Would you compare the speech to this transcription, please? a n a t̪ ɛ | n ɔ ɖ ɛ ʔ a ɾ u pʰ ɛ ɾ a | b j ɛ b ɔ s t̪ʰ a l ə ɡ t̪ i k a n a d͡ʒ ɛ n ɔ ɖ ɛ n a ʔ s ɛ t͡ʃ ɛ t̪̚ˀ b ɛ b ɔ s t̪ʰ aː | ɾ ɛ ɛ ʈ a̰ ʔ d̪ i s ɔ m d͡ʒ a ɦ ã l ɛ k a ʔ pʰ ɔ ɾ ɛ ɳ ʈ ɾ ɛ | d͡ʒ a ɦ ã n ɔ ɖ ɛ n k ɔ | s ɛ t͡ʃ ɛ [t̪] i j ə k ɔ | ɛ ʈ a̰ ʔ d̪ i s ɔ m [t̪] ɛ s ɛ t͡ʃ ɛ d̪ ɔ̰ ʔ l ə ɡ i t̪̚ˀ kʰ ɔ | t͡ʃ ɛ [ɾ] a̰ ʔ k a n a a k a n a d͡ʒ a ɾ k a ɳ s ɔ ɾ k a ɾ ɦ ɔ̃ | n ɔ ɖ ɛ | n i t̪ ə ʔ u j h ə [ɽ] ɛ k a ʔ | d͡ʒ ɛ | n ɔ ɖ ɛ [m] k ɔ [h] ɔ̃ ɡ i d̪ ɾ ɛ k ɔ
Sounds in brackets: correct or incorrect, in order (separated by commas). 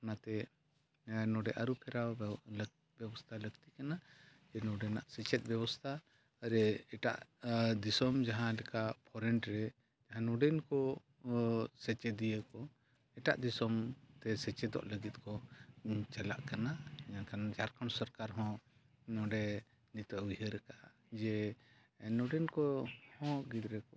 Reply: incorrect, correct, incorrect, incorrect, incorrect, correct